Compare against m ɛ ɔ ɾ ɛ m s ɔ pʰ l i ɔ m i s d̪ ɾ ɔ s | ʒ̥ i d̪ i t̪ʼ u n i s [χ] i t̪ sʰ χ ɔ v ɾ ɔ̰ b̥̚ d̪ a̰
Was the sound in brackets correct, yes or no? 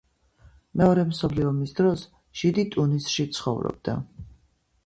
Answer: no